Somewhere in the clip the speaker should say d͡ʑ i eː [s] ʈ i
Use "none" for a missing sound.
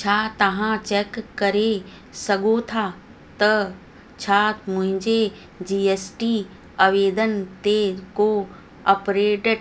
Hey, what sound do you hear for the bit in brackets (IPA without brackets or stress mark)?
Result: s